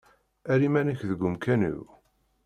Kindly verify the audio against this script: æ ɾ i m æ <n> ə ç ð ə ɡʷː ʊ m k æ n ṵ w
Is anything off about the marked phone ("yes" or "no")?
no